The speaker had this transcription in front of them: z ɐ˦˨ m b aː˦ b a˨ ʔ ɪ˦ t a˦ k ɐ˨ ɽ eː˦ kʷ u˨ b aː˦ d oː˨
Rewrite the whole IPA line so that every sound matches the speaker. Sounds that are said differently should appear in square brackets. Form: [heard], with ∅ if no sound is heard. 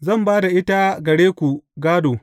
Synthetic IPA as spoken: z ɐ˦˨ m b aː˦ [d] a˨ ʔ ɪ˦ t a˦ [ɡ] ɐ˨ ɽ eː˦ kʷ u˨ [ɡ] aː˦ d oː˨